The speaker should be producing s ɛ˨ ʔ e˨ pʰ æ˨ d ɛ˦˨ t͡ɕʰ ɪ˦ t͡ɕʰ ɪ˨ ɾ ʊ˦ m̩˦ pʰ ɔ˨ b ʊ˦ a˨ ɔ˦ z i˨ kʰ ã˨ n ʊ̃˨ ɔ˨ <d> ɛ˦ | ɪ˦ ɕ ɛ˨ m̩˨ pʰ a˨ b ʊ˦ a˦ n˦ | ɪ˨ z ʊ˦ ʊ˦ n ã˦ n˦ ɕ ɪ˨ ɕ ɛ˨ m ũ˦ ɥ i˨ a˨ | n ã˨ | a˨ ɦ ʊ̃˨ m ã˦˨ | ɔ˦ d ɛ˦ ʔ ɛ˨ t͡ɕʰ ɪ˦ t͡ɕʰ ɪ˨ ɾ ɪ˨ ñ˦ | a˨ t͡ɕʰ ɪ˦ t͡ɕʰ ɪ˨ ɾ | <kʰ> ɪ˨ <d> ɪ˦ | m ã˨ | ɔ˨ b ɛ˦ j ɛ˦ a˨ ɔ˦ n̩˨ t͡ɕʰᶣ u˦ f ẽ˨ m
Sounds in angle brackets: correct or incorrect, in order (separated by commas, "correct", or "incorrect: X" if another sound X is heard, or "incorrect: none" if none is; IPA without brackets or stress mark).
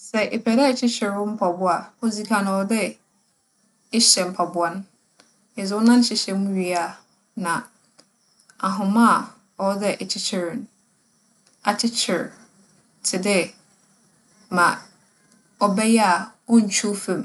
correct, incorrect: tʰ, correct